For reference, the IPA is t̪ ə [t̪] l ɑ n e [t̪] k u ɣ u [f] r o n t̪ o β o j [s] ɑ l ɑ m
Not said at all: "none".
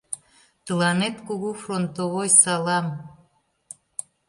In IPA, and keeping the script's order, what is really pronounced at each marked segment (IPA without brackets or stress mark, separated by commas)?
none, t̪, f, s